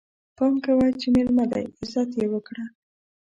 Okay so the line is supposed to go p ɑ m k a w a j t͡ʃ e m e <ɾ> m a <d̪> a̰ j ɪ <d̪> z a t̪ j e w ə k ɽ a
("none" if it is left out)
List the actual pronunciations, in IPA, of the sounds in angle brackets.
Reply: l, d̪, none

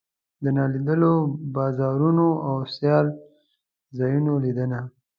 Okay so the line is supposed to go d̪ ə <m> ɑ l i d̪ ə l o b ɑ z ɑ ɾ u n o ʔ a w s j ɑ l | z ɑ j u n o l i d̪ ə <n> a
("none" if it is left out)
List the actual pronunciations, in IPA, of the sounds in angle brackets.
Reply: n, n

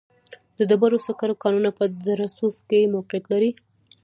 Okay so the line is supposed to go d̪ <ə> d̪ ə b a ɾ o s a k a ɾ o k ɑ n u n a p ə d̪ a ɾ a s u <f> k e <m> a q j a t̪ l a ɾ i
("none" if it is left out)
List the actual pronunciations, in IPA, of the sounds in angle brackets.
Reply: ə, f, m

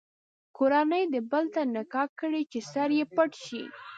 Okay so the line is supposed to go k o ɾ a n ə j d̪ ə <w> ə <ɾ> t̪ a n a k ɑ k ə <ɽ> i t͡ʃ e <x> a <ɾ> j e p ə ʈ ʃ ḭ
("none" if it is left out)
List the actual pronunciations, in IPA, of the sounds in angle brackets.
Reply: b, l, ɽ, s, ɾ

